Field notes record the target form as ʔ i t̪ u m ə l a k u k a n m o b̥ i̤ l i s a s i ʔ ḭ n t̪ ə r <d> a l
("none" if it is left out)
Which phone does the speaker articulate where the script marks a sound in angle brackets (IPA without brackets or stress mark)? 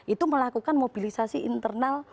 n